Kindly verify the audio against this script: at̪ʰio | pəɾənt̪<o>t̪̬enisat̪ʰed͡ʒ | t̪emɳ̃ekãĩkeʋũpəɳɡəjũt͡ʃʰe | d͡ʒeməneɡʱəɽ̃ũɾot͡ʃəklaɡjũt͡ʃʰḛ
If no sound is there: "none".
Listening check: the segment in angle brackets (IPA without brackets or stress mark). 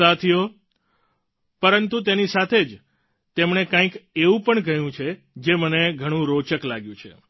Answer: u